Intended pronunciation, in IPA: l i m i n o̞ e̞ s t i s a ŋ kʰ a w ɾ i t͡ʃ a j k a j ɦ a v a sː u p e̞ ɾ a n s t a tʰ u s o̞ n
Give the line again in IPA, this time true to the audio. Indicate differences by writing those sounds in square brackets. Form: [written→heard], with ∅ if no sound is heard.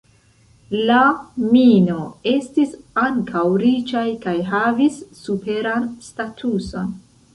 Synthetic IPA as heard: l [i→a] m i n o̞ e̞ s t i s a ŋ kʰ a w ɾ i t͡ʃ a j k a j ɦ a v [a→i] sː u p e̞ ɾ a n s t a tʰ u s o̞ n